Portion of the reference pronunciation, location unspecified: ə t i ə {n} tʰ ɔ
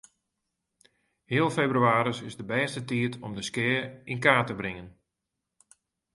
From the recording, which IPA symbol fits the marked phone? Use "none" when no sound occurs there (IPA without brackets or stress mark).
none